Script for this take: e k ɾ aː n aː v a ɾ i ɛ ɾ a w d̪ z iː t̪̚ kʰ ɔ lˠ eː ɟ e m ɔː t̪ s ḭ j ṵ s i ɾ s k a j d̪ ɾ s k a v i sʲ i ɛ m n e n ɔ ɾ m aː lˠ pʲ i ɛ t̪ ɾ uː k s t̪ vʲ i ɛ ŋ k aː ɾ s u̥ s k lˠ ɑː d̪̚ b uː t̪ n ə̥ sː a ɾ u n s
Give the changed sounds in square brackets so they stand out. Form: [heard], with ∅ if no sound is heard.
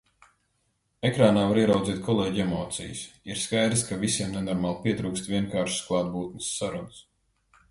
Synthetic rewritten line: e k ɾ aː n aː v a ɾ i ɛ ɾ a w d̪ z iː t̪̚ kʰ ɔ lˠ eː ɟ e m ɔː t̪ s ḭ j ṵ s i ɾ s k a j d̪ ɾ s k a v i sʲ i ɛ m n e n ɔ ɾ m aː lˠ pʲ i ɛ t̪ ɾ uː k s t̪ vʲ i ɛ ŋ k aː ɾ [ʃ] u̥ s k lˠ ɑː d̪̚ b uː t̪ n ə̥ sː a ɾ u n s